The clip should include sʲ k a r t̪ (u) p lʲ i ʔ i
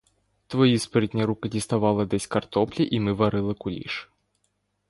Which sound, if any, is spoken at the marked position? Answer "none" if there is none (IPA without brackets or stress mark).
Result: ɔ